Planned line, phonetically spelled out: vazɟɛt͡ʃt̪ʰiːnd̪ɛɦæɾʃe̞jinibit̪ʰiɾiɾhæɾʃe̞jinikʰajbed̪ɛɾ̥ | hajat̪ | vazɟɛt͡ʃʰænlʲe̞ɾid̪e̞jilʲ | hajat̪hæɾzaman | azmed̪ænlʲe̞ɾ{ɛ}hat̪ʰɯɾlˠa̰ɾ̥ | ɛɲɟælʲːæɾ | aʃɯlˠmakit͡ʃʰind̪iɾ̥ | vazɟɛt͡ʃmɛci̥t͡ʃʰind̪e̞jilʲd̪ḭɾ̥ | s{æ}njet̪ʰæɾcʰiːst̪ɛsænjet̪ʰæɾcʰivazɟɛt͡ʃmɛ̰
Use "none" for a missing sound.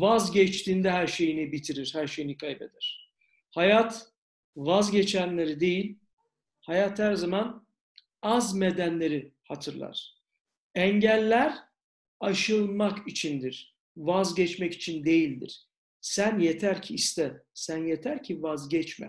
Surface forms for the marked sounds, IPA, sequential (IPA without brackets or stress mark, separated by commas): i, æ